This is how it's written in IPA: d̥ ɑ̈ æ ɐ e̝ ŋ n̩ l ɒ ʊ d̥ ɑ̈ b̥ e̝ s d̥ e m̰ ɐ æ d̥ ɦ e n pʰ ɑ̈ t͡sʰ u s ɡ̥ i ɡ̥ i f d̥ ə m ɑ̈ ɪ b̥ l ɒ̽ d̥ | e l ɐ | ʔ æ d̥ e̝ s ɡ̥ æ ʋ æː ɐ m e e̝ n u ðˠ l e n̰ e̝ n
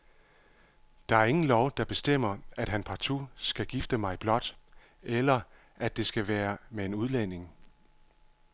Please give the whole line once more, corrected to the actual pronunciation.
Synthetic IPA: d̥ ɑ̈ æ ɐ e̝ ŋ n̩ l ɒ ʊ d̥ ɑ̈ b̥ e̝ s d̥ e m̰ ɐ æ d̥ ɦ æ n pʰ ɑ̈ t͡sʰ u s ɡ̥ æ ɡ̥ i f d̥ ə m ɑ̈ ɪ b̥ l ɒ̽ d̥ | e l ɐ | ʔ æ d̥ e̝ s ɡ̥ æ ʋ æː ɐ m e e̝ n u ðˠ l e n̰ e̝ ŋ